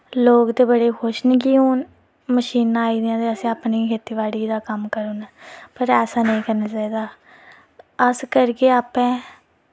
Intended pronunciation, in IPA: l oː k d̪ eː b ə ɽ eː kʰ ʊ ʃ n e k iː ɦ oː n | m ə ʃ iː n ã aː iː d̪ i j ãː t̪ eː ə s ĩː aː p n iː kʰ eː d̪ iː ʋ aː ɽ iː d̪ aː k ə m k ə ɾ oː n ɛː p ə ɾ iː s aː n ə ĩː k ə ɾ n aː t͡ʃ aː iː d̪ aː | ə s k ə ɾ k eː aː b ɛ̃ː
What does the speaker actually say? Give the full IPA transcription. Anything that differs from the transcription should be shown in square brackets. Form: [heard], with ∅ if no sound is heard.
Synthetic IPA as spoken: l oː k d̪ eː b ə ɽ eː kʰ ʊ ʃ n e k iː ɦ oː n | m ə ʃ iː n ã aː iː d̪ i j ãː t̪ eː ə s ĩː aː p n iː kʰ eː [t̪] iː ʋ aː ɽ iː d̪ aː k ə m k ə ɾ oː n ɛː p ə ɾ [ɛː] s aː n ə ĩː k ə ɾ n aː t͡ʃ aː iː d̪ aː | ə s k ə ɾ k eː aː [p] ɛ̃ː